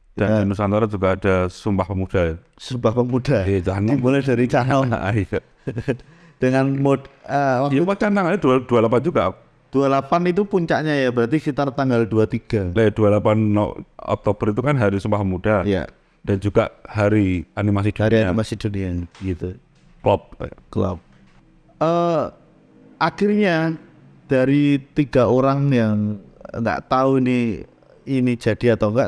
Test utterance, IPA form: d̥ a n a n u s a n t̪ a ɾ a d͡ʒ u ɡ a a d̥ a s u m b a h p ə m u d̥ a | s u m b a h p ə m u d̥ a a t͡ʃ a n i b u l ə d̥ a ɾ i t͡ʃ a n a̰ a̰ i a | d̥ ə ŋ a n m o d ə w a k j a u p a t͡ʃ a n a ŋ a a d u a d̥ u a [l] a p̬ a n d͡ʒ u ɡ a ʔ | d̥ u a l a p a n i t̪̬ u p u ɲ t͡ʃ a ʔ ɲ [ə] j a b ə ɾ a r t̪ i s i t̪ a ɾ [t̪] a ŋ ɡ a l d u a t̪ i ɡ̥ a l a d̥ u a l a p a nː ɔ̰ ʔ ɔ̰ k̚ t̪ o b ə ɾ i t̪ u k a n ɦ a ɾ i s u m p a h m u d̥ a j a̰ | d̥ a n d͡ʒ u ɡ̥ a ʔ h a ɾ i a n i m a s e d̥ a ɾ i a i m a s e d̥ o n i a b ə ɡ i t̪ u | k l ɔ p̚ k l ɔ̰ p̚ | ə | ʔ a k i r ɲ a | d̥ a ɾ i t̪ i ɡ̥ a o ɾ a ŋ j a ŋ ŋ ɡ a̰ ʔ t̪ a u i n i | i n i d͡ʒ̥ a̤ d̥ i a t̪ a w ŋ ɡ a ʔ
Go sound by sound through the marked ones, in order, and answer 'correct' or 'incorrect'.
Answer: correct, incorrect: a, correct

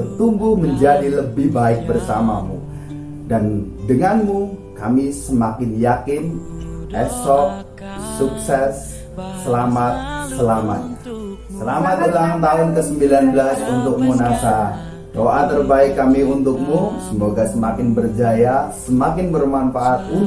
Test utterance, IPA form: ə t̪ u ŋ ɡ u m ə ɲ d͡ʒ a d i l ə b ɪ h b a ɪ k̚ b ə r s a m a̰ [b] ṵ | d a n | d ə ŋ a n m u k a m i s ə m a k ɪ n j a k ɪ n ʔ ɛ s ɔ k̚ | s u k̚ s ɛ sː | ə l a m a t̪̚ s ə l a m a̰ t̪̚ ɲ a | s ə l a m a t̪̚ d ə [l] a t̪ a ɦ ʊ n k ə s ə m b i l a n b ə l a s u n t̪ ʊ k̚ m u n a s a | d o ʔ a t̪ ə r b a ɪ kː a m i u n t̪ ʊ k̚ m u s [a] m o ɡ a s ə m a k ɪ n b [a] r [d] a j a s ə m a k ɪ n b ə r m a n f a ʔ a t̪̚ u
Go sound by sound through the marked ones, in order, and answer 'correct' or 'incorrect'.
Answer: incorrect: m, correct, incorrect: ə, incorrect: ə, incorrect: d͡ʒ

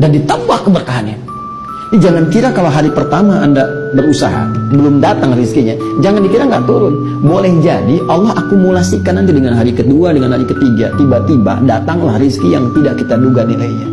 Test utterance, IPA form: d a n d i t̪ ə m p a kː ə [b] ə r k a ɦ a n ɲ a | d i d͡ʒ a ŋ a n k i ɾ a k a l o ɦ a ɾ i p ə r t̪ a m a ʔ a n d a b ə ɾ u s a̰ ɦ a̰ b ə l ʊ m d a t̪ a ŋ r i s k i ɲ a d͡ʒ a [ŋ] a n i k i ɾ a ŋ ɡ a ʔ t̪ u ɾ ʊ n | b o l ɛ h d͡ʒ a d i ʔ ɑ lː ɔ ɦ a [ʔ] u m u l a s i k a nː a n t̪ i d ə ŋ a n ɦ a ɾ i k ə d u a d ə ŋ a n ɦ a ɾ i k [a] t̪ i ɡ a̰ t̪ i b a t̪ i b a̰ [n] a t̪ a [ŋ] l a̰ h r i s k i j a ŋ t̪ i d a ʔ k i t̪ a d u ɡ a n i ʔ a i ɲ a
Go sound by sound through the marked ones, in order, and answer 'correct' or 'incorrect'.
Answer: correct, correct, incorrect: k, incorrect: ə, incorrect: d, correct

